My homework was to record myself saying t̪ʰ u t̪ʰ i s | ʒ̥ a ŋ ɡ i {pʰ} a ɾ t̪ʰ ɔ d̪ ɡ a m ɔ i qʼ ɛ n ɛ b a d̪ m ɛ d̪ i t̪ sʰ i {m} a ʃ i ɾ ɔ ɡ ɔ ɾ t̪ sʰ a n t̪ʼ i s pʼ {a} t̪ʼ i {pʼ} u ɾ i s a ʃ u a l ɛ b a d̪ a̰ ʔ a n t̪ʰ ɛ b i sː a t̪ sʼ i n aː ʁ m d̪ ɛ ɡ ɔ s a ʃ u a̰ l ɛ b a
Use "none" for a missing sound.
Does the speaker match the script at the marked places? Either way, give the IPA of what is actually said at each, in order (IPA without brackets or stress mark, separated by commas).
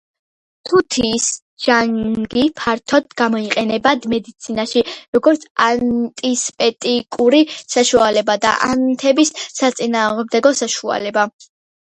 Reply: pʰ, n, ɛ, kʼ